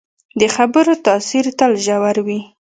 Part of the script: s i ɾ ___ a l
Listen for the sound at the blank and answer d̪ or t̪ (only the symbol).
t̪